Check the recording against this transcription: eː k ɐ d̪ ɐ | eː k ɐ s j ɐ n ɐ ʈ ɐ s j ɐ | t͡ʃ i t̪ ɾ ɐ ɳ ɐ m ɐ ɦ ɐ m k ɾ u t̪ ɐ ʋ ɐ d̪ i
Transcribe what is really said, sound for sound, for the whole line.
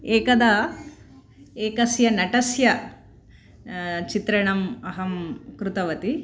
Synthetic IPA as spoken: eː k ɐ d̪ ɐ | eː k ɐ s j ɐ n ɐ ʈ ɐ s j ɐ | t͡ʃ i t̪ ɾ ɐ ɳ ɐ m ɐ ɦ ɐ m k ɾ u t̪ ɐ ʋ ɐ t̪ i